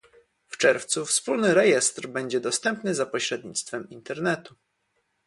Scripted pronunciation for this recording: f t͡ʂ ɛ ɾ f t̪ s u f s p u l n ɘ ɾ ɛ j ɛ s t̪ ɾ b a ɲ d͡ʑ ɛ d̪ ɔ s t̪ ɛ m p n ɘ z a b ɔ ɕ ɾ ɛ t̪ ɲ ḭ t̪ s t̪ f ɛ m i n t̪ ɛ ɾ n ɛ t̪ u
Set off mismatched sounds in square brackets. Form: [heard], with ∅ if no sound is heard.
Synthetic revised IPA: f t͡ʂ ɛ ɾ f t̪ s u f s p u l n ɘ ɾ ɛ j ɛ s t̪ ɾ b [ɛ] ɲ d͡ʑ ɛ d̪ ɔ s t̪ ɛ m p n ɘ z a [p] ɔ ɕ ɾ ɛ [d̪] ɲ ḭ t̪ s t̪ f ɛ m i n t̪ ɛ ɾ n ɛ t̪ u